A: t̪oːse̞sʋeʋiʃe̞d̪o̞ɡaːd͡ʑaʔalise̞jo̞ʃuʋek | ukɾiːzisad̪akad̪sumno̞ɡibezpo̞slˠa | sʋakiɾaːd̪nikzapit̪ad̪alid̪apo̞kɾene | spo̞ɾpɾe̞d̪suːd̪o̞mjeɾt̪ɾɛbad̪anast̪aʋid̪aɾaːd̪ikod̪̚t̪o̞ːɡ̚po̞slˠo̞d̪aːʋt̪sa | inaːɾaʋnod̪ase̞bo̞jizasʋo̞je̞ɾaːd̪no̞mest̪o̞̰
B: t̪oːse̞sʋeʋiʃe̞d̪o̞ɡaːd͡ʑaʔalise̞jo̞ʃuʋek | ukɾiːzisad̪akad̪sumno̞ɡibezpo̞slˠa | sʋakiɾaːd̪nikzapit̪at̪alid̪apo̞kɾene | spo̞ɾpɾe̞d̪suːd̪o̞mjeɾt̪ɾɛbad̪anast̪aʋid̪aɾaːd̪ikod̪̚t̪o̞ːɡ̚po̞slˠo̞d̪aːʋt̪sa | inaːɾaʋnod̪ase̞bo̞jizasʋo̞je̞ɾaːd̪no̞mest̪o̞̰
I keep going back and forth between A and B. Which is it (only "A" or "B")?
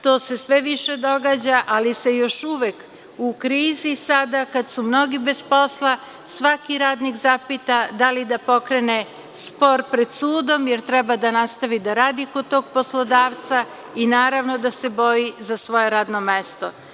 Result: A